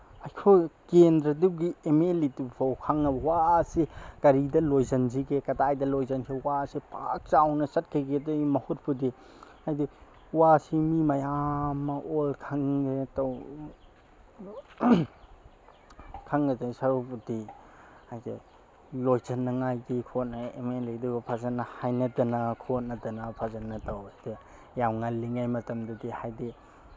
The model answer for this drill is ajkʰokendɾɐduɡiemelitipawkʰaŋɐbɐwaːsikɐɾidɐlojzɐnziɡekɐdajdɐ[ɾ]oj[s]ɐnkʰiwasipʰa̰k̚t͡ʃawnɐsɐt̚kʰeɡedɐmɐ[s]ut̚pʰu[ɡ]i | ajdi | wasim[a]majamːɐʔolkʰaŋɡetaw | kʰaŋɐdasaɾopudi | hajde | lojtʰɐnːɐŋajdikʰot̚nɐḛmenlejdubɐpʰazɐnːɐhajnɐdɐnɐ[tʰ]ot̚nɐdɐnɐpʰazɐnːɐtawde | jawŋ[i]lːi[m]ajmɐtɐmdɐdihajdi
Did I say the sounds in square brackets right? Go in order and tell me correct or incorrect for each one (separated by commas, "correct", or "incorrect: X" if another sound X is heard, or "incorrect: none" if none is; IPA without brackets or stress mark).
incorrect: l, incorrect: z, incorrect: h, incorrect: d, incorrect: i, incorrect: kʰ, incorrect: a, incorrect: ŋ